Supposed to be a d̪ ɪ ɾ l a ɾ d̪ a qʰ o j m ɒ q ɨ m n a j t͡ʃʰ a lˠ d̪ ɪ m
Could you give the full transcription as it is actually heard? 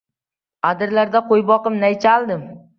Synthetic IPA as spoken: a d̪ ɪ ɾ l a ɾ d̪ a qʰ o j b ɒ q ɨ m n a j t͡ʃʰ a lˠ d̪ ɪ m